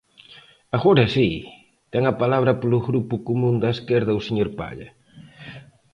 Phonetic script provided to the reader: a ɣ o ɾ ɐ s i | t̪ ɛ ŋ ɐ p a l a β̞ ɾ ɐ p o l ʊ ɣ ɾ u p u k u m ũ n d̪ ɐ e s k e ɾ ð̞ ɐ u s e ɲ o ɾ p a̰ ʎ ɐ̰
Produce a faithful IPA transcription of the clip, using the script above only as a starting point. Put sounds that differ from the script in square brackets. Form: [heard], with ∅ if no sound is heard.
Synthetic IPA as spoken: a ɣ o ɾ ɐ s i | t̪ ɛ ŋ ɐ p a l a β̞ ɾ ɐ p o l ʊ ɣ ɾ u p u k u m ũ n d̪ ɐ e s k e ɾ ð̞ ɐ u s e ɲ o ɾ p a̰ ʎ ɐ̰